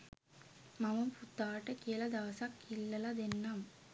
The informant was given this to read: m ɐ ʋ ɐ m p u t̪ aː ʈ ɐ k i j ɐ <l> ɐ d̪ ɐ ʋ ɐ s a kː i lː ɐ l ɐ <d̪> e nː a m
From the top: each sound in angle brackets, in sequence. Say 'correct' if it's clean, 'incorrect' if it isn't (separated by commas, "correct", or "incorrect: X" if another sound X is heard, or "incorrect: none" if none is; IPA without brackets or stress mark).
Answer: correct, correct